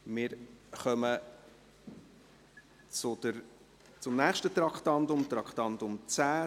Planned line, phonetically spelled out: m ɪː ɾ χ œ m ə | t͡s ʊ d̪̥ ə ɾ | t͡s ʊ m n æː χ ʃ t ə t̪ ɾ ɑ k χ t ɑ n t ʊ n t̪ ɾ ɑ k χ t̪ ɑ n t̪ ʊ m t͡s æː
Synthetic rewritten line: m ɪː ɾ χ œ m ə | t͡s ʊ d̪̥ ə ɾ | t͡s ʊ m n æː χ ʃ t ə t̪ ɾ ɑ k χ t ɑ n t ʊ m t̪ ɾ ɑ k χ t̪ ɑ n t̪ ʊ m t͡s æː